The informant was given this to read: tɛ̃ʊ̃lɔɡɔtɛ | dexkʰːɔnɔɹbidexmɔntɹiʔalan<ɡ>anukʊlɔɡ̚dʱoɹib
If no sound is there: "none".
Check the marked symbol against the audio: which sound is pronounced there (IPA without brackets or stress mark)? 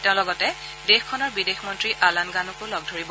ɡ